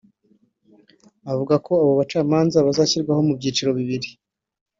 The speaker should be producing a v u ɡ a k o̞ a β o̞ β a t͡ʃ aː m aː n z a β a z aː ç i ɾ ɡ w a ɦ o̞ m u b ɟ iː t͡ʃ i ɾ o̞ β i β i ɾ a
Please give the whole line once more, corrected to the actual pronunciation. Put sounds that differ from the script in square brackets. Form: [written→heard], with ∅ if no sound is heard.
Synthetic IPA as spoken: a v u ɡ a k o̞ a β o̞ β a t͡ʃ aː m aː n z a β a z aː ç i ɾ ɡ w a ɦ o̞ m u b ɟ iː t͡ʃ i ɾ o̞ β i β i ɾ [a→i]